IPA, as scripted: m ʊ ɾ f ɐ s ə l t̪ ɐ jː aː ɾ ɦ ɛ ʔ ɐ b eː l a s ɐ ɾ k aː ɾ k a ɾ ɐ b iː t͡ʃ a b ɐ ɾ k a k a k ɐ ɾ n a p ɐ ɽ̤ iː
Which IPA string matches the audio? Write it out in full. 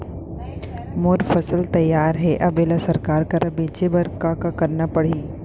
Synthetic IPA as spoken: m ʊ ɾ f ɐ s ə l t̪ ɐ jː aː ɾ ɦ ɛ ʔ ɐ b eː l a s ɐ ɾ k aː ɾ k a ɾ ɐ b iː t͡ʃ e b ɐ ɾ k a k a k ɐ ɾ n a p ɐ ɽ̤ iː